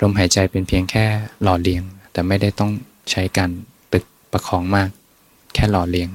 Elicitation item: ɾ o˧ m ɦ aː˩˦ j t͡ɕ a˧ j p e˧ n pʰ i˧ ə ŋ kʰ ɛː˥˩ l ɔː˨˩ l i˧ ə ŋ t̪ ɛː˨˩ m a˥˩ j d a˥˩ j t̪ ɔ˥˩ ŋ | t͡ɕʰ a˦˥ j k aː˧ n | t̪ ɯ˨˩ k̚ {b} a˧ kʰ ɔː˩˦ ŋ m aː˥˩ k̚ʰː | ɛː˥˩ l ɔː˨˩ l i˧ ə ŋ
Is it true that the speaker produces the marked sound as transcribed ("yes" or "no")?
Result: no